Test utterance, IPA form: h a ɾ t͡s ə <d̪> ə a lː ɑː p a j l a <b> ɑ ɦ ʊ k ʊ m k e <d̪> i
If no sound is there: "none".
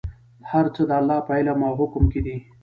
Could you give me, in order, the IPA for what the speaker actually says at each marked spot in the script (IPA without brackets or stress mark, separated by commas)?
d̪, m, d̪